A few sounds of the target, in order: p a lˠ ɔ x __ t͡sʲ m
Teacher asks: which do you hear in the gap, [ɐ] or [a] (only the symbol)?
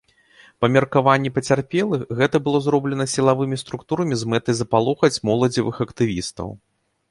ɐ